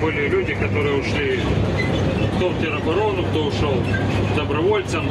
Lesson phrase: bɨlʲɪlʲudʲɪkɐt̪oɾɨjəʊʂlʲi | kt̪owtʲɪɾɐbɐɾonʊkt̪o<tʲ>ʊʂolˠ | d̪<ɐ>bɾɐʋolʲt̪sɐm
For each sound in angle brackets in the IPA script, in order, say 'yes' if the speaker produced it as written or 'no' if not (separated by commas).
no, yes